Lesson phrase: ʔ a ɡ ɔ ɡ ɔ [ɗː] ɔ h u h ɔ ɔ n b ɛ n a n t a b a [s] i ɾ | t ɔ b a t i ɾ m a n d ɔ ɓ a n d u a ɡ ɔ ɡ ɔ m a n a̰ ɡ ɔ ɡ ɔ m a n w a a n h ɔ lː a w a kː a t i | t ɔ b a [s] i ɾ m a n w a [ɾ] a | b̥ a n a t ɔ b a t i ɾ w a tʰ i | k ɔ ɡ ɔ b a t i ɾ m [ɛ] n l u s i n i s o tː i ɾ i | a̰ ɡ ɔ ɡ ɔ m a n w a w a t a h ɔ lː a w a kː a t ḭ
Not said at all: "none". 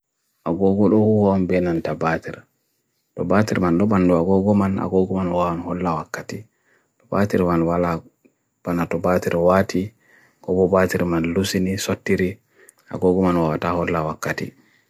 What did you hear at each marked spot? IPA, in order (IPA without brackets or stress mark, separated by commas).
ɗ, t, t, l, a